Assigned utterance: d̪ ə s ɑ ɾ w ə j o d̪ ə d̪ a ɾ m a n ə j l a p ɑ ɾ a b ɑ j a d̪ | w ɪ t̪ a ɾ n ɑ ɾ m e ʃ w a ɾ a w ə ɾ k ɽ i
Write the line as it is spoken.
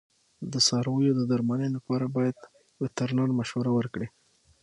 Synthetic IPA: d̪ ə s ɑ ɾ w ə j o d̪ ə d̪ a ɾ m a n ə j l a p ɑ ɾ a b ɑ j a d̪ | w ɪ t̪ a ɾ n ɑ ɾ m a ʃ w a ɾ a w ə ɾ k ɽ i